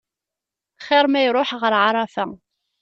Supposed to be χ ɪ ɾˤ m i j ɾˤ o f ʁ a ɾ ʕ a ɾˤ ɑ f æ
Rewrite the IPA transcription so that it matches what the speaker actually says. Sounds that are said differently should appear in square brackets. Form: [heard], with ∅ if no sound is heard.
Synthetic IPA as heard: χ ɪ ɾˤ m [æ] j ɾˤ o [ħ] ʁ [ə] ɾ ʕ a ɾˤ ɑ f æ